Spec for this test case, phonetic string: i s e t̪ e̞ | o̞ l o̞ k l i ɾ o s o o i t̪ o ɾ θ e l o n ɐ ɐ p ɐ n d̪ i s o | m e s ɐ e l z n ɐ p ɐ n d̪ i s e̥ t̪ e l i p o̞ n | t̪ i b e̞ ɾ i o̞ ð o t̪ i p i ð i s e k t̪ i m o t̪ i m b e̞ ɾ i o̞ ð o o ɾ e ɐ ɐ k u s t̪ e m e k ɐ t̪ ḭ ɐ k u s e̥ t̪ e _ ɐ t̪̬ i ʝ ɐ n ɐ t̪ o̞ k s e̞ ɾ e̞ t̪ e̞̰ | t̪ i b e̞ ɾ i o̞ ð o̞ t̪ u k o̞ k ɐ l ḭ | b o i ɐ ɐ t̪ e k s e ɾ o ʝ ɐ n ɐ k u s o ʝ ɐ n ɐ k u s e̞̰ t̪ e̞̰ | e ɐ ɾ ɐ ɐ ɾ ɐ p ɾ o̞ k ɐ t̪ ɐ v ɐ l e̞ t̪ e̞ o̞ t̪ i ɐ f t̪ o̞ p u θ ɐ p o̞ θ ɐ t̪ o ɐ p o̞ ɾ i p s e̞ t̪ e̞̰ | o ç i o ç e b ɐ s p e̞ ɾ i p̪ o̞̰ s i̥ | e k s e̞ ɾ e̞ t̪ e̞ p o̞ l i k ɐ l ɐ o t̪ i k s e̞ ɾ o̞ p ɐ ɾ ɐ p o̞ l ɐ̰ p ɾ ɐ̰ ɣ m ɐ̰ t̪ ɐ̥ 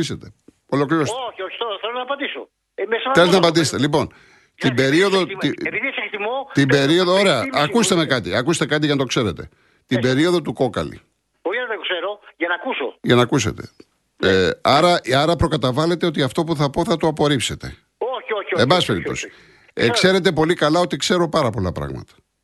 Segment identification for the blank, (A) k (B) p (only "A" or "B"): A